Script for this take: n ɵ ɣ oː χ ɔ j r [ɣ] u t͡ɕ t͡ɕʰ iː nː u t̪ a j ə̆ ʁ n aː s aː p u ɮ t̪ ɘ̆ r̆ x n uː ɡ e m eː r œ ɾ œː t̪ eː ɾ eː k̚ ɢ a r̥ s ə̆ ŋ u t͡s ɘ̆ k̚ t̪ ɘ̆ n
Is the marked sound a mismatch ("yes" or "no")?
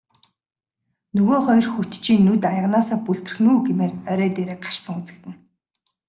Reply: yes